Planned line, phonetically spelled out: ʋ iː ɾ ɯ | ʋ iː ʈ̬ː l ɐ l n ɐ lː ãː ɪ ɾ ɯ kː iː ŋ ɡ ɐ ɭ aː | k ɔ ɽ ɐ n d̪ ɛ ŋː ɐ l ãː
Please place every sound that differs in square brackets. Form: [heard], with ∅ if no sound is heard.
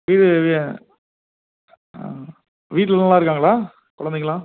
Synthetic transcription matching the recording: ʋ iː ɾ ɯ | ʋ iː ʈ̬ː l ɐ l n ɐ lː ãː ɪ ɾ ɯ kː [aː] ŋ ɡ ɐ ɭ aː | k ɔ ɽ ɐ n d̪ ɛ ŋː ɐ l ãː